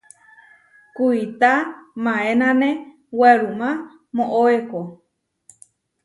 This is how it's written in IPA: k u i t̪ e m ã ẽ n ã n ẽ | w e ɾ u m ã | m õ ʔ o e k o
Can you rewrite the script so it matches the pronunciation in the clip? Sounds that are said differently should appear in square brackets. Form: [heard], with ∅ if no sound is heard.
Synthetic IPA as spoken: k u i t̪ [a] m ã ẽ n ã n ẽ | w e ɾ u m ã | m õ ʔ o e k o